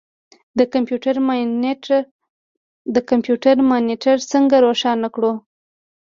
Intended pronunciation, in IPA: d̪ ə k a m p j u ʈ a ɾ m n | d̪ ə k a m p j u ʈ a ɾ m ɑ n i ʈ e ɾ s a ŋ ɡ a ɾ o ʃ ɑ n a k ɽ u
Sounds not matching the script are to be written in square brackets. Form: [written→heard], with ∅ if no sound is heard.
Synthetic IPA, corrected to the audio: d̪ ə k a m p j u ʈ a ɾ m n | d̪ ə k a m p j u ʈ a ɾ m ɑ n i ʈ [e→a] ɾ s [a→ə] ŋ ɡ a ɾ o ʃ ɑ n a k ɽ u